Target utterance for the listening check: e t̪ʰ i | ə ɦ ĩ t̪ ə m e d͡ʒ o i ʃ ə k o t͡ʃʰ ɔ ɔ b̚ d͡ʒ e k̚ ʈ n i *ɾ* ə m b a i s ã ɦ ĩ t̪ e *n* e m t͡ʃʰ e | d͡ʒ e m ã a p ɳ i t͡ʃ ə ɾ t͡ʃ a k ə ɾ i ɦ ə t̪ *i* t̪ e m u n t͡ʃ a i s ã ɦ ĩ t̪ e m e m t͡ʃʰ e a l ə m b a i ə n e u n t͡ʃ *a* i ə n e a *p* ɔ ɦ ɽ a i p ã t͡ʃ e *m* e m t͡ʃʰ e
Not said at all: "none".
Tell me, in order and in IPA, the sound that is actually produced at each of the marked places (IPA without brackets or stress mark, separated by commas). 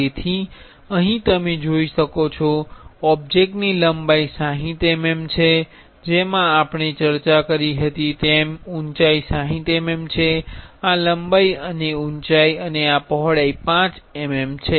l, m, i, a, p, m